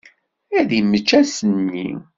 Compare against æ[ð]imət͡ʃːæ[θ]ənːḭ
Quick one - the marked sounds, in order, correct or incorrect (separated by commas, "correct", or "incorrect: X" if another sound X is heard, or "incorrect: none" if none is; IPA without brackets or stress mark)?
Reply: correct, incorrect: s